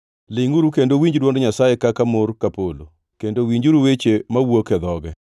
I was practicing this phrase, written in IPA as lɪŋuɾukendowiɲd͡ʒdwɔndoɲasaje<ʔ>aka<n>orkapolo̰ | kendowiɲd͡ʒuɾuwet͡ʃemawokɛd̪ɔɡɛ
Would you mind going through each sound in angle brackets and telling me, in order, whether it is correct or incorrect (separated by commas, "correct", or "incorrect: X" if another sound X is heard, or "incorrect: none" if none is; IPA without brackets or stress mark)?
incorrect: k, incorrect: m